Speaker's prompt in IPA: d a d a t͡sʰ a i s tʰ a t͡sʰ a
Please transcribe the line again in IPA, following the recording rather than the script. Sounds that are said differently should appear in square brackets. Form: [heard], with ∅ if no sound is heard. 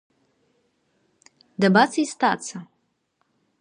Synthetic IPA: d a [b] a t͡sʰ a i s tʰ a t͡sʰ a